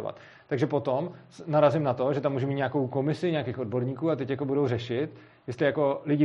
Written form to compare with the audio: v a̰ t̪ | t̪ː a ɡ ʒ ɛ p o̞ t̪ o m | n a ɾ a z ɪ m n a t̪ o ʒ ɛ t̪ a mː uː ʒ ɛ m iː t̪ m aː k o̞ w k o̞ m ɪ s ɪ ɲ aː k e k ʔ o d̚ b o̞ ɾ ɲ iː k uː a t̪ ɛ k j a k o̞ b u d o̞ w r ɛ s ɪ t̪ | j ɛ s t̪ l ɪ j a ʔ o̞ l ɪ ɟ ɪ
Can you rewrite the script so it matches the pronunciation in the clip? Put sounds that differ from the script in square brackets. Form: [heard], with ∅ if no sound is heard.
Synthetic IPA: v a̰ t̪ | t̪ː a ɡ ʒ ɛ p o̞ t̪ o m | n a ɾ a z ɪ m n a t̪ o ʒ ɛ t̪ a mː uː ʒ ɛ m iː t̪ [ɲ] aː k o̞ w k o̞ m ɪ s ɪ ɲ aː k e [x] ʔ o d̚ b o̞ ɾ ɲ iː k uː a t̪ ɛ [c] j a k o̞ b u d o̞ w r ɛ [ʃ] ɪ t̪ | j ɛ s t̪ l ɪ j a [k] o̞ l ɪ ɟ ɪ